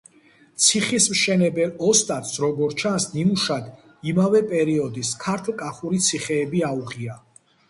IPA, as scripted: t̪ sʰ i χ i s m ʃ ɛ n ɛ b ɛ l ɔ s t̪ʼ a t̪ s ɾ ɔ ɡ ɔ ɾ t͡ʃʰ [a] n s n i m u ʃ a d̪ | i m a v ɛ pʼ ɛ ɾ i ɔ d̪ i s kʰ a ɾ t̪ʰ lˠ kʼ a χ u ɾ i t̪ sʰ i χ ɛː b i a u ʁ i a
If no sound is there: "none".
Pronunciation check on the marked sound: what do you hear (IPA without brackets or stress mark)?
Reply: a